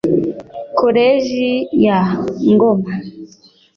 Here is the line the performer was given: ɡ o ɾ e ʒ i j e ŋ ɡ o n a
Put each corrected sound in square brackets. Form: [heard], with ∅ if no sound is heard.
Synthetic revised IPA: [k] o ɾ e ʒ i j [a] ŋ ɡ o [m] a